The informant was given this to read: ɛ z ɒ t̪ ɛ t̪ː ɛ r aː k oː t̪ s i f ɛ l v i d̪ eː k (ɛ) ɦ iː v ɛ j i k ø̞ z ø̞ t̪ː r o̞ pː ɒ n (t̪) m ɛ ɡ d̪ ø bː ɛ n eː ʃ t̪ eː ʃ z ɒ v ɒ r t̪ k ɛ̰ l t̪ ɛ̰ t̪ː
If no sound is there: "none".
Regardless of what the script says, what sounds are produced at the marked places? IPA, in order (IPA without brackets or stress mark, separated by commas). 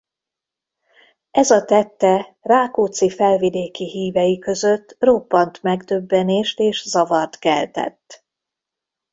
i, t̪